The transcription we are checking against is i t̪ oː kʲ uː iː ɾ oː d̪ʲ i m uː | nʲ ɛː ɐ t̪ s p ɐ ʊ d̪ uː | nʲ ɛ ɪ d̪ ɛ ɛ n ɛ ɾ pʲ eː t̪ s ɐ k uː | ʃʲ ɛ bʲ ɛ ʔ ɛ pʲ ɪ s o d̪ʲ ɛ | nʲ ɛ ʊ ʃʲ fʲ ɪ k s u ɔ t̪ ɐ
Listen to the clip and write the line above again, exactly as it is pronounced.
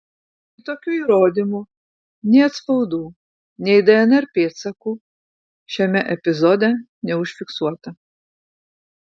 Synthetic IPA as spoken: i t̪ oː kʲ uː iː ɾ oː d̪ʲ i m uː | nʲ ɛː ɐ t̪ s p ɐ ʊ d̪ uː | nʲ ɛ ɪ d̪ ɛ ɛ n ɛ ɾ pʲ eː t̪ s ɐ k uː | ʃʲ ɛ mʲ ɛ ʔ ɛ pʲ ɪ z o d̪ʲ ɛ | nʲ ɛ ʊ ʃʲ fʲ ɪ k s u ɔ t̪ ɐ